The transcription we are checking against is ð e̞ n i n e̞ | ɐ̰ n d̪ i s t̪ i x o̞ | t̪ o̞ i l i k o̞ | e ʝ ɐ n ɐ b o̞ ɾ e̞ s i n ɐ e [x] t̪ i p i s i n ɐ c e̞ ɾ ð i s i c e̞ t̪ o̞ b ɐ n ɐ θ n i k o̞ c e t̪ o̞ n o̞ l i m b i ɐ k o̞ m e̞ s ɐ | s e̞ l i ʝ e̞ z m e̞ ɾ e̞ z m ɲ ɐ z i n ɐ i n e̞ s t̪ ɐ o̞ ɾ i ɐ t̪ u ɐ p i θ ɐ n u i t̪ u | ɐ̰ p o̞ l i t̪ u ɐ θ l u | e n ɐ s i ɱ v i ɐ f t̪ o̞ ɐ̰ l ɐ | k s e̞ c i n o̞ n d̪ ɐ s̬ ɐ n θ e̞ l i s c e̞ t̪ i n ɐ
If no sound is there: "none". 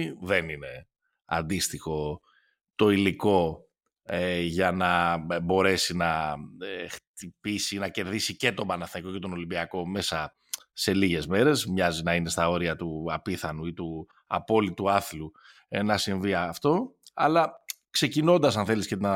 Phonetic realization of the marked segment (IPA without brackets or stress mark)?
x